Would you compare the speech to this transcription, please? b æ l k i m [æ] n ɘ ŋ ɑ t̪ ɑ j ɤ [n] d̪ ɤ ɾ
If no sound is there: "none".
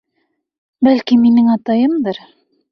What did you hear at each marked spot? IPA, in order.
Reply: i, m

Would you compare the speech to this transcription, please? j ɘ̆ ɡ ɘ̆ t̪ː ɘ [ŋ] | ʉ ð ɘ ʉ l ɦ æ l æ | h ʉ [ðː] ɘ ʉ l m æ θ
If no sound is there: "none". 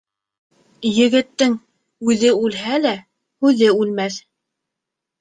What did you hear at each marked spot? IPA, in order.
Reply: ŋ, ð

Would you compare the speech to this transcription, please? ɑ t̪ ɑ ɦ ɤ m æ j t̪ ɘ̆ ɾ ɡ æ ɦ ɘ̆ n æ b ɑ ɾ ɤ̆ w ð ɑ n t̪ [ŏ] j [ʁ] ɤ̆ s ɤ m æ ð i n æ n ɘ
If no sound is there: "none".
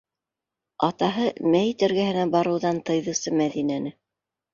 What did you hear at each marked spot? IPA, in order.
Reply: ɤ̆, ð

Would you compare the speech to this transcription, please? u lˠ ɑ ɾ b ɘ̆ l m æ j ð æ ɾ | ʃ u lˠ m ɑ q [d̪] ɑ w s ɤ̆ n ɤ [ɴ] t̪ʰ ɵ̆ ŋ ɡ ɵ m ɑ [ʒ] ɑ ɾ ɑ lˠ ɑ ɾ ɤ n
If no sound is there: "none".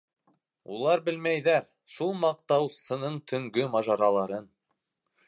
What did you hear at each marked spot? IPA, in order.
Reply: t̪, ɴ, ʒ

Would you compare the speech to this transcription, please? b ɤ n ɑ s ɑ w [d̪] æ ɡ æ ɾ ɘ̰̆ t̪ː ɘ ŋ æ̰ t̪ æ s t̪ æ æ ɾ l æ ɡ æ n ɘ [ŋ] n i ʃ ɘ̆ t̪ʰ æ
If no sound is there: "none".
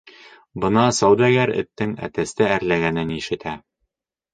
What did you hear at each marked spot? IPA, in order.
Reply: d̪, none

